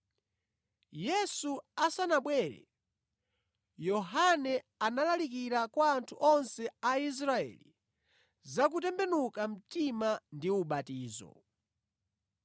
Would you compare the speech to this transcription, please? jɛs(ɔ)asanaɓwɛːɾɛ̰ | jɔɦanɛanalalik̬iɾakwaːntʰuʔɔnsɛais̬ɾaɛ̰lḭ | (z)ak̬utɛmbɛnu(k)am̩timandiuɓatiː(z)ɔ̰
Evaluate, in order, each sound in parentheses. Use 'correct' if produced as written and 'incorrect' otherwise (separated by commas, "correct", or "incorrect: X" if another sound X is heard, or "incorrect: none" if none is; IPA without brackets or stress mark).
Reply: incorrect: u, correct, correct, correct